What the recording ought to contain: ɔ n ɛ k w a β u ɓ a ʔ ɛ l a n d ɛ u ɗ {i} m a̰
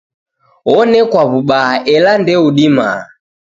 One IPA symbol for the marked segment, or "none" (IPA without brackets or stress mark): i